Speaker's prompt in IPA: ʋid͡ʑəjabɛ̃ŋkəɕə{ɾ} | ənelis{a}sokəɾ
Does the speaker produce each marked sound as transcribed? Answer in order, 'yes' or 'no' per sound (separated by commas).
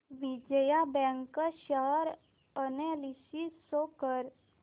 yes, no